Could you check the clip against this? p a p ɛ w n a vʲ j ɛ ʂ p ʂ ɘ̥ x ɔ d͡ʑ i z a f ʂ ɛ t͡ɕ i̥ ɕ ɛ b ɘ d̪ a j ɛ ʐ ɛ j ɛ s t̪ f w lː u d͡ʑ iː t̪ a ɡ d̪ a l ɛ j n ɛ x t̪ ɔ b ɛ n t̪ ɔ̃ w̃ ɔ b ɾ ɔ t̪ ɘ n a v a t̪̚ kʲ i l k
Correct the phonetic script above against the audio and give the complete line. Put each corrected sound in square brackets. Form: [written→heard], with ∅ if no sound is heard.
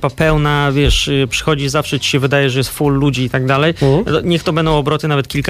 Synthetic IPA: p a p ɛ w n a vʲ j ɛ ʂ p ʂ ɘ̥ x ɔ d͡ʑ i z a f ʂ ɛ t͡ɕ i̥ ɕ ɛ [b→v] ɘ d̪ a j ɛ ʐ ɛ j ɛ s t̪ f [w→u] lː u d͡ʑ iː t̪ a ɡ d̪ a l ɛ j [n→ɲ] ɛ x t̪ ɔ b ɛ n [t̪→d̪] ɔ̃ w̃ ɔ b ɾ ɔ t̪ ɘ n a v [a→ɛ] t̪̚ kʲ i l k